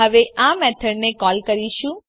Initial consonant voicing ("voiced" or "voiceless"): voiced